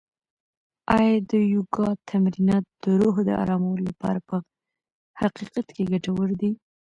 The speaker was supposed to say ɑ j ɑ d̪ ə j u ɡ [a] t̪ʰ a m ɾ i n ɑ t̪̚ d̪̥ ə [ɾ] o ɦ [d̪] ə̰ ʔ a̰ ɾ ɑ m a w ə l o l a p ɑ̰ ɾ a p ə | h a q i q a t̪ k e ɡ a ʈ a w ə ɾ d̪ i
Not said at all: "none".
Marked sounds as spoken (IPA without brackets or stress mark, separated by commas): ɑ, ɾ, d̪